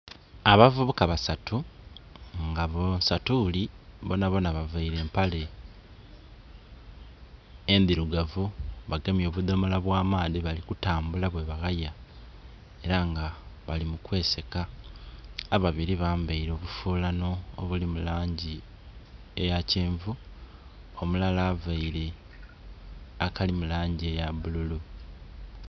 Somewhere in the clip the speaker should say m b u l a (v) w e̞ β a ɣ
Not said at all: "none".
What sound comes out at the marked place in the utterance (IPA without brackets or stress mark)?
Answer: β